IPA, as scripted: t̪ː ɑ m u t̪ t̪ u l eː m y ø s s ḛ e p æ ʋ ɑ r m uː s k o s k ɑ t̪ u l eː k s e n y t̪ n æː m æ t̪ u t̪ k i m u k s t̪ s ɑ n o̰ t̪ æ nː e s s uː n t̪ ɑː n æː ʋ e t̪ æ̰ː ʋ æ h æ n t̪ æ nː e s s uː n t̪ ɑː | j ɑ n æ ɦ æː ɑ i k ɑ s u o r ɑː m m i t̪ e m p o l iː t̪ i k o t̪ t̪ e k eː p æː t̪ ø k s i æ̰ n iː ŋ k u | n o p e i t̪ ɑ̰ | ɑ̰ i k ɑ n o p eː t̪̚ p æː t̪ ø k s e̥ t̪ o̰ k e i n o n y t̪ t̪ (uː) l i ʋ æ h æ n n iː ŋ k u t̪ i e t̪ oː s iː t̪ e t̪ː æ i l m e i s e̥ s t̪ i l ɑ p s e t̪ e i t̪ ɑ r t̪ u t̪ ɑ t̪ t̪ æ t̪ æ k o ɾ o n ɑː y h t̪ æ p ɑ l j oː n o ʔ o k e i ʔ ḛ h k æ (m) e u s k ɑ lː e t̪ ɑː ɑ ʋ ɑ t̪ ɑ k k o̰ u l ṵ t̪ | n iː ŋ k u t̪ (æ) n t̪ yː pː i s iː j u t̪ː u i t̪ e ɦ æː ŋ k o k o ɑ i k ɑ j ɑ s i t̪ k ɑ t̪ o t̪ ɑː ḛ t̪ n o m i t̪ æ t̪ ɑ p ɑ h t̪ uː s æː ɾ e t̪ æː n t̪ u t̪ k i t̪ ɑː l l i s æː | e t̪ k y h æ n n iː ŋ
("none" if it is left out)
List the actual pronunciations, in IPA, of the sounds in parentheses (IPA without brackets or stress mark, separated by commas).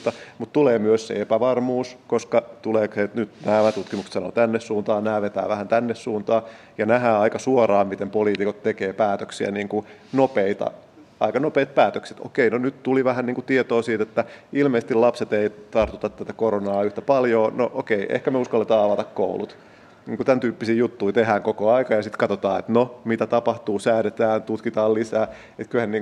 u, m, æ